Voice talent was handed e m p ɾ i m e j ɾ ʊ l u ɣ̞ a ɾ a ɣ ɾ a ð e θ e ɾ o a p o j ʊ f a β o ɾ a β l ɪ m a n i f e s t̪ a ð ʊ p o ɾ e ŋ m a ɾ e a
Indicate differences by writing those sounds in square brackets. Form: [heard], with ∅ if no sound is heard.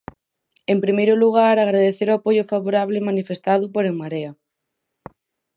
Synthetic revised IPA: e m p ɾ i m e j ɾ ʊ l u ɣ̞ a ɾ a ɣ ɾ a ð e θ e ɾ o a p o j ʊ f a β o ɾ a β l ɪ m a n i f e s t̪ a ð ʊ p o ɾ e ŋ m a ɾ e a